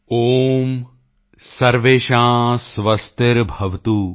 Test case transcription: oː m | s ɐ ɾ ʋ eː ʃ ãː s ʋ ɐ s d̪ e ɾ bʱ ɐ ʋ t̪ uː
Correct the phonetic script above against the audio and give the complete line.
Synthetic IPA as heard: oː m | s ɐ ɾ ʋ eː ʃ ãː s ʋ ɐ s t̪ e ɾ bʱ ɐ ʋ t̪ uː